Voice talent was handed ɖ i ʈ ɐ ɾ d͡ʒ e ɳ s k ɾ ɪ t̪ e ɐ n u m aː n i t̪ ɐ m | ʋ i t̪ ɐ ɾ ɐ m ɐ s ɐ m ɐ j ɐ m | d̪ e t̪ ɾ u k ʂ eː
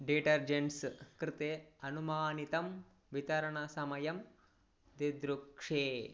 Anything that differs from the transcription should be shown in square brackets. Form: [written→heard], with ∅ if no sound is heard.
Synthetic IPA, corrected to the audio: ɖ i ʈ ɐ ɾ d͡ʒ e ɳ s k ɾ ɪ t̪ e ɐ n u m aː n i t̪ ɐ m | ʋ i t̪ ɐ ɾ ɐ [m→ɳ] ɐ s ɐ m ɐ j ɐ m | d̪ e [t̪→d̪] ɾ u k ʂ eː